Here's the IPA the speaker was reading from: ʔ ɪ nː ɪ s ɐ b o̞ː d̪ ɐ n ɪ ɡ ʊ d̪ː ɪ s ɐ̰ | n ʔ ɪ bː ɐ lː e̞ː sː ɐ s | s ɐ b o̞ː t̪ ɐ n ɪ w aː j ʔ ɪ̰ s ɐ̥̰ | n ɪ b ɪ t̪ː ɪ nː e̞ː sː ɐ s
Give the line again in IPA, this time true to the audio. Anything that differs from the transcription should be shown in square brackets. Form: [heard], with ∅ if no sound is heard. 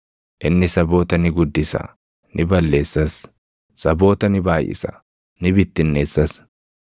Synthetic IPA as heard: ʔ ɪ nː ɪ s ɐ b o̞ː [t̪] ɐ n ɪ ɡ ʊ d̪ː ɪ s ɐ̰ | n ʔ ɪ [b] ɐ lː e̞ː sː ɐ s | s ɐ b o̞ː t̪ ɐ n ɪ [b] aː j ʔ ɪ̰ s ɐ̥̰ | n ɪ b ɪ t̪ː ɪ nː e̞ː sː ɐ s